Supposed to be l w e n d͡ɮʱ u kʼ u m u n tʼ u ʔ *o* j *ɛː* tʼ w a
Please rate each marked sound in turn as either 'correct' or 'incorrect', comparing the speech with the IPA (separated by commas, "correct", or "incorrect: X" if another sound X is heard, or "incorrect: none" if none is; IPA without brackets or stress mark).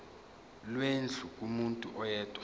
incorrect: ɔ, correct